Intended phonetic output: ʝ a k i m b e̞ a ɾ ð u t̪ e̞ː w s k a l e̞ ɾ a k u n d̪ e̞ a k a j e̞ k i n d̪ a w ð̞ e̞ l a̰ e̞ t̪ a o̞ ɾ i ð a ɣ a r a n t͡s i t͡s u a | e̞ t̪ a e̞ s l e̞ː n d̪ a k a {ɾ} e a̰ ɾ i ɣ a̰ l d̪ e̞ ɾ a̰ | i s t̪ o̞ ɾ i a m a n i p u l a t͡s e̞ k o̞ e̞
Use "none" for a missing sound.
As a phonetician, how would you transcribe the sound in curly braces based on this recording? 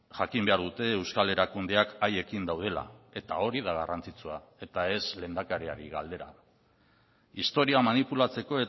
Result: ɾ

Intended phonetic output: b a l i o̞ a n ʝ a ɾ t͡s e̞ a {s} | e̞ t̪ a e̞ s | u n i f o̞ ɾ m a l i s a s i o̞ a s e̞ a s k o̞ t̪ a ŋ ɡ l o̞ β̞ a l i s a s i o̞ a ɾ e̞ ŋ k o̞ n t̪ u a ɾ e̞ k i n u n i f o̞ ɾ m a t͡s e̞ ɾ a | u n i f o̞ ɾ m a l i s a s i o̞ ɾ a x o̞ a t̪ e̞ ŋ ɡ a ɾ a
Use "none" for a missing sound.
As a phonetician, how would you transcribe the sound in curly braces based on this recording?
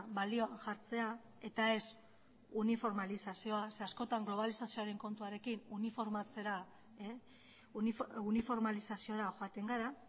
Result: none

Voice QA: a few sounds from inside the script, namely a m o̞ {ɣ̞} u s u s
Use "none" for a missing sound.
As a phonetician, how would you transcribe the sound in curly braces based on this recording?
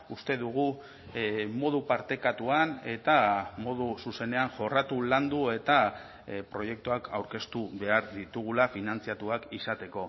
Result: ð̞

